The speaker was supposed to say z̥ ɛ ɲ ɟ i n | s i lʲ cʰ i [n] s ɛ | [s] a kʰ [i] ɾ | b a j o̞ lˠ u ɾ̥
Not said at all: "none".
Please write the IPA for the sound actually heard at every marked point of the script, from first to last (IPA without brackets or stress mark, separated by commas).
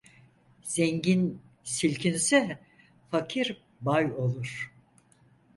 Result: n, f, i